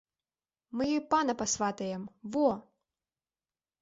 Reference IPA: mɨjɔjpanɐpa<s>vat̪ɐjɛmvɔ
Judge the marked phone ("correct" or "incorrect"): correct